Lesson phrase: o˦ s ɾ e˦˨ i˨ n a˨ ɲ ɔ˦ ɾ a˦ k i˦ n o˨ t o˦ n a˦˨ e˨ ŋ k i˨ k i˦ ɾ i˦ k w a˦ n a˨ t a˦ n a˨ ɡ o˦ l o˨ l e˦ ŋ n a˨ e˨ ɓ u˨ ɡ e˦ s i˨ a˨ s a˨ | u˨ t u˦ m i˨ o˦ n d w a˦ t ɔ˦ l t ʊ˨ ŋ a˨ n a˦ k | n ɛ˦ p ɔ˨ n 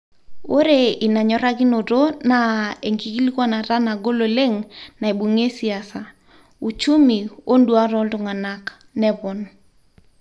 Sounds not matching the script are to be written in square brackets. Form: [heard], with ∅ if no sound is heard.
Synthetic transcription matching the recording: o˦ [∅] ɾ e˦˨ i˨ n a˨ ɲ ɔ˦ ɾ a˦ k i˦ n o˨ t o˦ n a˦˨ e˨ ŋ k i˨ k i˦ [l] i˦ k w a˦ n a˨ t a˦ n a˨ ɡ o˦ l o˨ l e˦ ŋ n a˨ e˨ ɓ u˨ [ŋ] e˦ s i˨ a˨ s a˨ | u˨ [t͡ʃ] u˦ m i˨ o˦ n d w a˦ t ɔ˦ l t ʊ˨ ŋ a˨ n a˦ k | n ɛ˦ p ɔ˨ n

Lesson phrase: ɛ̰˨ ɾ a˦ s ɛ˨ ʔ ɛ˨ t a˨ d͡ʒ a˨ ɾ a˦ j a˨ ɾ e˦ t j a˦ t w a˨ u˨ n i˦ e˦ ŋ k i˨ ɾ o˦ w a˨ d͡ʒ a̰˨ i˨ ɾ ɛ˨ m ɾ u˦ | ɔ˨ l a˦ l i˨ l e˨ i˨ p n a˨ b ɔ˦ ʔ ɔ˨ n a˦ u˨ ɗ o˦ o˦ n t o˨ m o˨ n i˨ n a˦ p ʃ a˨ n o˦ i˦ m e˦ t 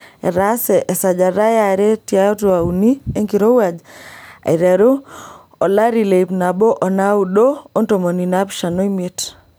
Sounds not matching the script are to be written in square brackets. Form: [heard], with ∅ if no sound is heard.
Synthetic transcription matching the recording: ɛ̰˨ ɾ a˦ s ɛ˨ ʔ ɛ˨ [s] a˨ d͡ʒ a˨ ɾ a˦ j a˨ ɾ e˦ t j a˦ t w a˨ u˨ n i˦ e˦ ŋ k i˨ ɾ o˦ w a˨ d͡ʒ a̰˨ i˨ ɾ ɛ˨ [∅] ɾ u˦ | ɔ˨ l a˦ [ɾ] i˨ l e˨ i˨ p n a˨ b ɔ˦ ʔ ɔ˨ n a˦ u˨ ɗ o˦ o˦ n t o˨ m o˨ n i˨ n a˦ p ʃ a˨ n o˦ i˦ m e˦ t

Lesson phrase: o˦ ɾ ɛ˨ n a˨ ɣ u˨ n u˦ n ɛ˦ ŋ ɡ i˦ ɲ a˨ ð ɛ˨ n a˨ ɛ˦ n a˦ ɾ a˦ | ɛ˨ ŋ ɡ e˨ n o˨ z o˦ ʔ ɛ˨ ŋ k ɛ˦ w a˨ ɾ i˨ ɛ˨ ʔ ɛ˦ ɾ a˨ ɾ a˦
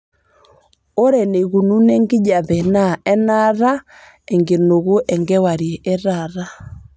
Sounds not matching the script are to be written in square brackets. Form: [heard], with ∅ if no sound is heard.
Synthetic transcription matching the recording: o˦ ɾ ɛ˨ n [e˨] ɣ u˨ n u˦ n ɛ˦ ŋ ɡ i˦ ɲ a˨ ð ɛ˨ n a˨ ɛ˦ n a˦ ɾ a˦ | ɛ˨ ŋ ɡ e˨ n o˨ [ɣ] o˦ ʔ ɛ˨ ŋ [ɡ] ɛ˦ w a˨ ɾ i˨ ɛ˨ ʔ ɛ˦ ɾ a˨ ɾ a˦

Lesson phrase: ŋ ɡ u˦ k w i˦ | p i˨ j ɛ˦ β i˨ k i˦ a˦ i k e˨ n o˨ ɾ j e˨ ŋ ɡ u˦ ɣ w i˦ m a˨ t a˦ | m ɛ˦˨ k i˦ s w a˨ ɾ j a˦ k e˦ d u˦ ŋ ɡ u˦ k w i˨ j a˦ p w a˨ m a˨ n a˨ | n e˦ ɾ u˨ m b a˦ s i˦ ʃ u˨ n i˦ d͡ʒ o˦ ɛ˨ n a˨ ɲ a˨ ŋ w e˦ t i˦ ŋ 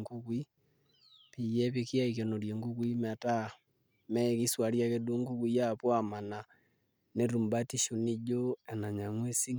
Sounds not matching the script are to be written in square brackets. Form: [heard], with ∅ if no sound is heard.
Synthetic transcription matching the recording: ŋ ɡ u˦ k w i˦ | p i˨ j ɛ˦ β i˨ k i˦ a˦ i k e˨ n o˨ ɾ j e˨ ŋ ɡ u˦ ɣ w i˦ m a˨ t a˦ | m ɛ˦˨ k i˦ s w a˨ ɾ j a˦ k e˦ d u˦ ŋ ɡ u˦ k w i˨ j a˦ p w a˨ m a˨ n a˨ | n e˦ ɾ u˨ m b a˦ [t] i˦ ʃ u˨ n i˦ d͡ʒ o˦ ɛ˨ n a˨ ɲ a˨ ŋ w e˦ [s] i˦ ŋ

